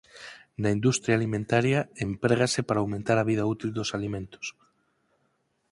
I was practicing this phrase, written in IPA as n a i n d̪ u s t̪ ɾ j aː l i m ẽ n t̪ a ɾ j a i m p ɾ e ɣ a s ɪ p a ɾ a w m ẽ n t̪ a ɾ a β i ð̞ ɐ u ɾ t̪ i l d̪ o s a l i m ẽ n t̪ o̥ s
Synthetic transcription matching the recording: n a i n d̪ u s t̪ ɾ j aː l i m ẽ n t̪ a ɾ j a e m p ɾ e ɣ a s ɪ p a ɾ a w m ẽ n t̪ a ɾ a β i ð̞ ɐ u t̪ i l d̪ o s a l i m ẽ n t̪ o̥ s